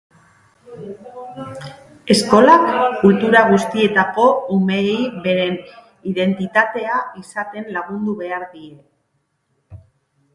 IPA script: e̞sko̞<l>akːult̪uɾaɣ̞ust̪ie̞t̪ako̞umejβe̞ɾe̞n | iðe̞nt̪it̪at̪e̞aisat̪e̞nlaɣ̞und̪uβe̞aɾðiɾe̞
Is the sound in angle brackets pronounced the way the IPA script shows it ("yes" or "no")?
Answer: yes